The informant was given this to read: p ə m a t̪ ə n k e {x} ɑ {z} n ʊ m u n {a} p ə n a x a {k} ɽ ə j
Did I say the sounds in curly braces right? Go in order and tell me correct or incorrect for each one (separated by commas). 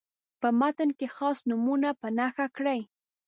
correct, incorrect, correct, correct